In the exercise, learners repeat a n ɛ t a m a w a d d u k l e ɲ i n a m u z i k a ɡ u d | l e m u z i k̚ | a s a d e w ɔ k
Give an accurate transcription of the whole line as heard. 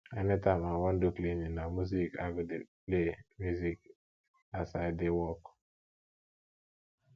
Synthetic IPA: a n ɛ t a m a w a n d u k l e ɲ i n a m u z i k a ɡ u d | l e m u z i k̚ | a s a d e w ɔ k